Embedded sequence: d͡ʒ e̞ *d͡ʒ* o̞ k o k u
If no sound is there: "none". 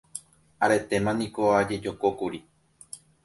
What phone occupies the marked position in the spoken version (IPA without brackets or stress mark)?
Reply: d͡ʒ